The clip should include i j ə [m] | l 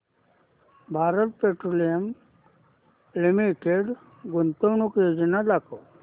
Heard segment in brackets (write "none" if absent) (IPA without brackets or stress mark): m